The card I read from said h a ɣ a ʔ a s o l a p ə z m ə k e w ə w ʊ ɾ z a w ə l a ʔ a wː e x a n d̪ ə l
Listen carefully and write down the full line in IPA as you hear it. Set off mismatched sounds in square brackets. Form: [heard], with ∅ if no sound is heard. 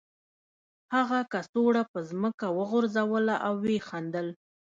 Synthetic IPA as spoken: h a ɣ a [k] a s o [ɽ] a p ə z m ə k [a] w ə [ɣ] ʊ ɾ z a w ə l a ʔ a wː e x a n d̪ ə l